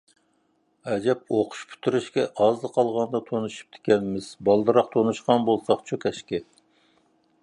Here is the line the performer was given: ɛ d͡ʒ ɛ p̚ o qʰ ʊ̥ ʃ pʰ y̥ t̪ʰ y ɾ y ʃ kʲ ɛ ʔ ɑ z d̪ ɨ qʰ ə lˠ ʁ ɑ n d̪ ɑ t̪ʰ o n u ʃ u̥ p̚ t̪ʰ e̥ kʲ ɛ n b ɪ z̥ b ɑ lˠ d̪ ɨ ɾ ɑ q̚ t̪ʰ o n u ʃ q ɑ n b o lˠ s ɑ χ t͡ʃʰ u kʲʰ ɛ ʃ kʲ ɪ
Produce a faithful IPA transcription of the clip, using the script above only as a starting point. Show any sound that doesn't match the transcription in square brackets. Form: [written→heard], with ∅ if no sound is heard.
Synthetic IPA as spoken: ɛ d͡ʒ ɛ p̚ o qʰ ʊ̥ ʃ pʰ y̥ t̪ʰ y ɾ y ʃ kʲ ɛ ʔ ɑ z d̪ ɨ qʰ [ə→ɑ] lˠ ʁ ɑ n d̪ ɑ t̪ʰ o n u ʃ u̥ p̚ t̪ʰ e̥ kʲ ɛ n [b→m] ɪ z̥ b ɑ lˠ d̪ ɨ ɾ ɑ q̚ t̪ʰ o n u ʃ q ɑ n b o lˠ s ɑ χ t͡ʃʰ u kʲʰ ɛ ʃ kʲ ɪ